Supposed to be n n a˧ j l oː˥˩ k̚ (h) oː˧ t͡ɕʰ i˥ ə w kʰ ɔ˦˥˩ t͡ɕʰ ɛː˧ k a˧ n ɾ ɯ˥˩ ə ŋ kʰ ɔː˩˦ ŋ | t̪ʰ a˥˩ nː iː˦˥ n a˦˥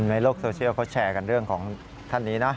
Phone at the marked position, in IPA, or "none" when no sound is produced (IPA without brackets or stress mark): s